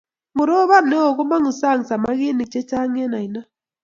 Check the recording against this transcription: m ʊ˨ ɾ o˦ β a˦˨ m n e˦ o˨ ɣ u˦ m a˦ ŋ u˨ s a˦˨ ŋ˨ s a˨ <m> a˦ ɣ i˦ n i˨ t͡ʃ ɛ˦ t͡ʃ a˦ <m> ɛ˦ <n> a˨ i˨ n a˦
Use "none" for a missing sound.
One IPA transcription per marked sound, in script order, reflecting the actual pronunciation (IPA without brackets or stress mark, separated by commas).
m, ŋ, n